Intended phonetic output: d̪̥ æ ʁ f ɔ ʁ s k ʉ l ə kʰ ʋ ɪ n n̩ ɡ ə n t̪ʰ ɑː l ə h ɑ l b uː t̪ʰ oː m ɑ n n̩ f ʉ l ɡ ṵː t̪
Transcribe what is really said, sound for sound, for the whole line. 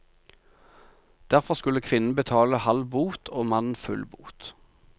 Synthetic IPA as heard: d̪̥ æ ʁ f ɔ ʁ s k ʉ l ə kʰ ʋ ɪ n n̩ b ə t̪ʰ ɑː l ə h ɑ l b uː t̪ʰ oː m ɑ n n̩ f ʉ l b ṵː t̪